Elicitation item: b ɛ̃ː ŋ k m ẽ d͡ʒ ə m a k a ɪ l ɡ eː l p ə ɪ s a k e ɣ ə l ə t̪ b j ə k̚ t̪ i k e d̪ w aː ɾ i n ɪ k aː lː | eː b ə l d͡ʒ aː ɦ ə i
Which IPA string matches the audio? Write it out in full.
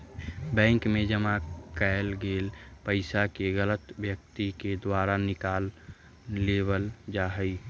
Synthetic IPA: b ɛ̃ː ŋ k m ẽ d͡ʒ ə m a k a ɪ l ɡ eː l p ə ɪ s a k e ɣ ə l ə t̪ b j ə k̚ t̪ i k e d̪ w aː ɾ a n ɪ k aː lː | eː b ə l d͡ʒ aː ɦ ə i